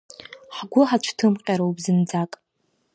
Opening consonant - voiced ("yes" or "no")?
no